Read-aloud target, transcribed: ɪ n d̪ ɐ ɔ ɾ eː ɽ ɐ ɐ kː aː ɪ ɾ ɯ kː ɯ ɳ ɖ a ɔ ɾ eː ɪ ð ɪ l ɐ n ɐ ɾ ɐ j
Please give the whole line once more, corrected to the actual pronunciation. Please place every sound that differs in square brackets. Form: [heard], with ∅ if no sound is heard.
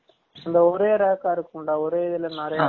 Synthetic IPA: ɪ n d̪ ɐ ɔ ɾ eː [ɾ] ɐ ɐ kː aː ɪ ɾ ɯ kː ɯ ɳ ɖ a ɔ ɾ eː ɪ ð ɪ l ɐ n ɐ ɾ ɐ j